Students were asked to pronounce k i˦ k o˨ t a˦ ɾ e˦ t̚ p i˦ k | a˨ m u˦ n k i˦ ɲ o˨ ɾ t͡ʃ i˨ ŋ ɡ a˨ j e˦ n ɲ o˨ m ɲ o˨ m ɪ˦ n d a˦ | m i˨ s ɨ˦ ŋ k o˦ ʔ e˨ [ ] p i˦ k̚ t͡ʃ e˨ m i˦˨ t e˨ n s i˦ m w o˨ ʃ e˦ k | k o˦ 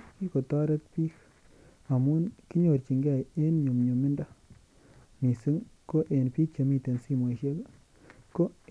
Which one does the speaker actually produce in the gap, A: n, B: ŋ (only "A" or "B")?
A